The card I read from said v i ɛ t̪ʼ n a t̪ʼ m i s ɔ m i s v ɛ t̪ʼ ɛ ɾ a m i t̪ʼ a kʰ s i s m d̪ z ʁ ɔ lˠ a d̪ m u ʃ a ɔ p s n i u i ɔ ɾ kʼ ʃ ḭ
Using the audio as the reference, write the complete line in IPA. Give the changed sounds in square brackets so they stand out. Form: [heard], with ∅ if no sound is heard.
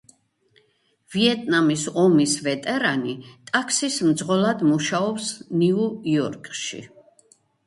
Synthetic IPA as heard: v i ɛ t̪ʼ n a [∅] m i s ɔ m i s v ɛ t̪ʼ ɛ ɾ a [n] i t̪ʼ a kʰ s i s m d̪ z ʁ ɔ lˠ a d̪ m u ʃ a ɔ p s n i u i ɔ ɾ kʼ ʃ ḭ